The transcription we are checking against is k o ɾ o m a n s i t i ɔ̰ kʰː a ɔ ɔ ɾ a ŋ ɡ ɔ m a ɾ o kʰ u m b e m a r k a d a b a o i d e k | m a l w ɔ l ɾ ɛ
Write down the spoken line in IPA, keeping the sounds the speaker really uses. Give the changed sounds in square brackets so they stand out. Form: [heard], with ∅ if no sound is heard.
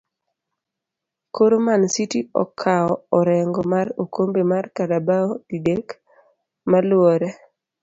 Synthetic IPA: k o ɾ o m a n s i t i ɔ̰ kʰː a ɔ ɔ ɾ [ɛ] ŋ ɡ ɔ m a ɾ o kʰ [o] m b e m a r k a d a b a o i d e k | m a l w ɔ [∅] ɾ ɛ

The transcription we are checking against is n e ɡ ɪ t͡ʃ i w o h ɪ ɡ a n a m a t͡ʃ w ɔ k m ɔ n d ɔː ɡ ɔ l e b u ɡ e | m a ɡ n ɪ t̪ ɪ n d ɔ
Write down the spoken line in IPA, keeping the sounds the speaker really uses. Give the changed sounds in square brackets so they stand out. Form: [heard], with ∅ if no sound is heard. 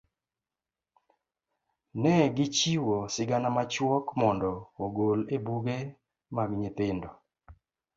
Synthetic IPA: n [ɛ] ɡ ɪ t͡ʃ i w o [s] ɪ ɡ a n a m a t͡ʃ w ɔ k m ɔ n d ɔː ɡ [o] l e b u ɡ e | m a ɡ [ɲ] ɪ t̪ ɪ n d ɔ

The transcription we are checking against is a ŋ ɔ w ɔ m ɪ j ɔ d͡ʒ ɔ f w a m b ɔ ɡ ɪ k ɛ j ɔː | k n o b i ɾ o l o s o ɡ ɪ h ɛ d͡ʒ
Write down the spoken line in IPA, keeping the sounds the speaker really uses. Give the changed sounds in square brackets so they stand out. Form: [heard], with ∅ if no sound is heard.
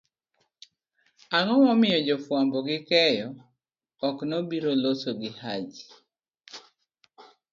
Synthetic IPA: a ŋ ɔ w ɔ m ɪ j ɔ d͡ʒ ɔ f w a m b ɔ ɡ ɪ k ɛ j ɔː | k n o b i ɾ o l o s o ɡ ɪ h [a] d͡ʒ

